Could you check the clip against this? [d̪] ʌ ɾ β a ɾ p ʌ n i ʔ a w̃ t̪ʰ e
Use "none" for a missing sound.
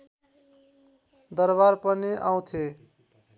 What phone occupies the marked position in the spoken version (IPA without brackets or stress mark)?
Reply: d̪